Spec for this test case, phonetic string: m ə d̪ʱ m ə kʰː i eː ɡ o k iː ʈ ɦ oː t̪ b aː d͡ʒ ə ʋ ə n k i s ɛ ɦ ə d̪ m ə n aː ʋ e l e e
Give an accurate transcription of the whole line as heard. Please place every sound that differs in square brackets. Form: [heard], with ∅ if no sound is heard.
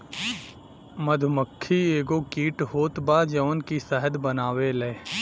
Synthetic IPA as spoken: m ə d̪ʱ m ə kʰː i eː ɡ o k iː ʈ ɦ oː t̪ b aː d͡ʒ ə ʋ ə n k i s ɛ ɦ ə d̪ [b] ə n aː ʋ e l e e